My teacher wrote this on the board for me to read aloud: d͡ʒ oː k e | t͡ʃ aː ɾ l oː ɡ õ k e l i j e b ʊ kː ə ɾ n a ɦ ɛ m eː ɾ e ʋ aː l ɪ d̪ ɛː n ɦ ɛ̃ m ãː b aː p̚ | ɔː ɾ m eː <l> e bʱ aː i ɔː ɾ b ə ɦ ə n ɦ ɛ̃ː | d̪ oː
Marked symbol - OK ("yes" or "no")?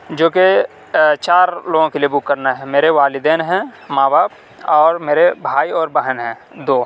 no